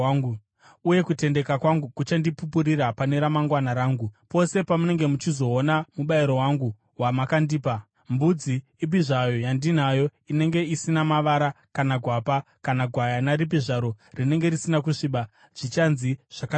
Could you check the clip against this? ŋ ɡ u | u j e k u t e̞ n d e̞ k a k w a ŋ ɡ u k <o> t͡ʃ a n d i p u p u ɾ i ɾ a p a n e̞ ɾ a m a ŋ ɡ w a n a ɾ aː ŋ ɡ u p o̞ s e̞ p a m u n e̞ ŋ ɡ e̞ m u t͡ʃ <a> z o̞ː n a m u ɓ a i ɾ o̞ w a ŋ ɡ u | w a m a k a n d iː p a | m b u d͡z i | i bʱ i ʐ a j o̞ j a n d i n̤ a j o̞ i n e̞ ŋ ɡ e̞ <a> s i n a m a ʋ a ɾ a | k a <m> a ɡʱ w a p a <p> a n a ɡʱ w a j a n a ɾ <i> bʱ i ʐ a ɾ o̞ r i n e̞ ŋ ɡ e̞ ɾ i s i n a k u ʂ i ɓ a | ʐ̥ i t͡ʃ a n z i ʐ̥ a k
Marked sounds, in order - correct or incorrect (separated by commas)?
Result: incorrect, incorrect, incorrect, incorrect, incorrect, correct